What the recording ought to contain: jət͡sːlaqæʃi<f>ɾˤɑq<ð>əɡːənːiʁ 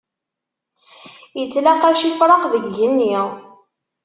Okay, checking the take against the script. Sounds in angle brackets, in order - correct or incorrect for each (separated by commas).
correct, correct